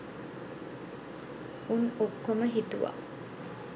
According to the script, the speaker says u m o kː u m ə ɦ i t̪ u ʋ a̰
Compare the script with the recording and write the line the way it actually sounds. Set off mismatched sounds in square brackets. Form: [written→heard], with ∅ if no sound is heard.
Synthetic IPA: u [m→n] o kː [u→o] m ə ɦ i t̪ u ʋ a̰